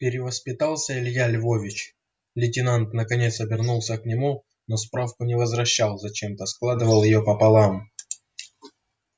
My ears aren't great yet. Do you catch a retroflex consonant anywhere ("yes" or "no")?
no